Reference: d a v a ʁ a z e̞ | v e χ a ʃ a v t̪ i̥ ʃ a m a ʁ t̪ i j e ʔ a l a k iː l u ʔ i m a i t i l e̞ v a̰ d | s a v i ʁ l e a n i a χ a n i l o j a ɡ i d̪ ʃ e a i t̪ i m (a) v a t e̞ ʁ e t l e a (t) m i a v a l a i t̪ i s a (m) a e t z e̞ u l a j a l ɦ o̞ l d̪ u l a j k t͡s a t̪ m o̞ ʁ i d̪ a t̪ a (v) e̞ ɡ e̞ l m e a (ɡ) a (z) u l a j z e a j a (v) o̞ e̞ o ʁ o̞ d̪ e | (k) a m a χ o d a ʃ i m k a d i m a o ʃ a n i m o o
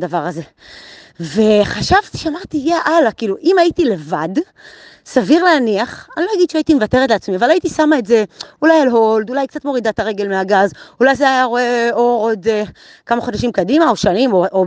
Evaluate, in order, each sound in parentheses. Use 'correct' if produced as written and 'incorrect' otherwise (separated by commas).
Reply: incorrect, incorrect, correct, incorrect, correct, correct, incorrect, correct